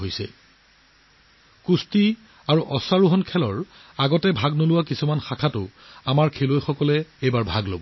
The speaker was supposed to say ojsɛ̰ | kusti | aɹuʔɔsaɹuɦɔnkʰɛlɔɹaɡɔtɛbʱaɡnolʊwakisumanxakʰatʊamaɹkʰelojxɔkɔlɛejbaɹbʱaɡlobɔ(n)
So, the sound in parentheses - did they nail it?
no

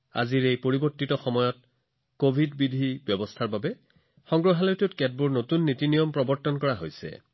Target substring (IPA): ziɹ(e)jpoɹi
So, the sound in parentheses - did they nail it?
yes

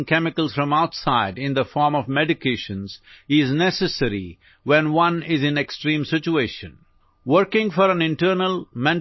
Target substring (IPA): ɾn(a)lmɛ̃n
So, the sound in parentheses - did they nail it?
no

